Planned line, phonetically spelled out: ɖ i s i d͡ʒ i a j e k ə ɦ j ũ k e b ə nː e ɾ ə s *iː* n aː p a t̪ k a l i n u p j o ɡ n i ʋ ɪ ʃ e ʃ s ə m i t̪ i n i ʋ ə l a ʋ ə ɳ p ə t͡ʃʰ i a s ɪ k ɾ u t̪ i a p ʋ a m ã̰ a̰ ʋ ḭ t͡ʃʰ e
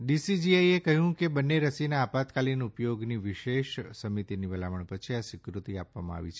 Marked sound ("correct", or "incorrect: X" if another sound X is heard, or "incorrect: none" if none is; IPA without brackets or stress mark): incorrect: i